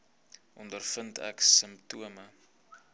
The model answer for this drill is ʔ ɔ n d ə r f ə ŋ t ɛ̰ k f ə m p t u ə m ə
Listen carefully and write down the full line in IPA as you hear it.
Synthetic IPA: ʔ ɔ n d ə r f ə n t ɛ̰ k s ə m p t u ə m ə